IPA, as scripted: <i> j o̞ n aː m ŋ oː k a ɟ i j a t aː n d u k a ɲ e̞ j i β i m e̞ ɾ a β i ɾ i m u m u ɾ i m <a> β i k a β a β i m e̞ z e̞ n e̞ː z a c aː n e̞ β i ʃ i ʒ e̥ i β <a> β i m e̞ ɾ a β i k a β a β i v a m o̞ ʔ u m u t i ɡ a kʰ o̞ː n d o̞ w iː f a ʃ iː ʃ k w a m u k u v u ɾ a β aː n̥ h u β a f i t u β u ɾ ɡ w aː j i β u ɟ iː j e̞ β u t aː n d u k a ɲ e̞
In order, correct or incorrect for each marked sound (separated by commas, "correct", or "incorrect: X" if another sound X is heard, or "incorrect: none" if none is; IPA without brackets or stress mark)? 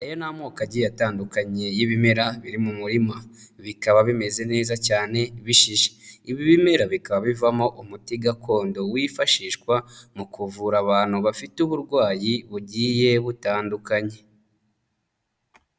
incorrect: e, correct, incorrect: i